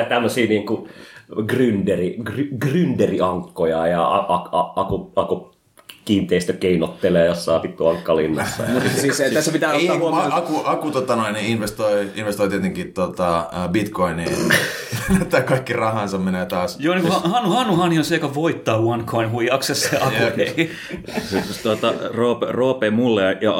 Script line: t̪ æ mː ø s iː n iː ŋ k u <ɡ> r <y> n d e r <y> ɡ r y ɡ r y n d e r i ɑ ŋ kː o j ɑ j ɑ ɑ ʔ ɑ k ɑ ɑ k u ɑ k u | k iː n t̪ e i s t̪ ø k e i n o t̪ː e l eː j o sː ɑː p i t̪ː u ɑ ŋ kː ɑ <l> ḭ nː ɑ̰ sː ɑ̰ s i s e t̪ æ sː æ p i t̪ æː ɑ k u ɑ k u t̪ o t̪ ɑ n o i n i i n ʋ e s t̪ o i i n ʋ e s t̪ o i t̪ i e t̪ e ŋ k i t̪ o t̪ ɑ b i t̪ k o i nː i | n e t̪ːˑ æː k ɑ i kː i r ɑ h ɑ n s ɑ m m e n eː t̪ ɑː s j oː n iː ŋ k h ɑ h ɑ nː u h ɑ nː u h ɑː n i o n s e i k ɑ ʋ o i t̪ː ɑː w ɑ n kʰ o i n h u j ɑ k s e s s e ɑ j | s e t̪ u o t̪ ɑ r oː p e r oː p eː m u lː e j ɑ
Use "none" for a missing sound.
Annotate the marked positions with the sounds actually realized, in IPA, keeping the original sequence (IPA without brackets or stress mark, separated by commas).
ɡ, y, i, l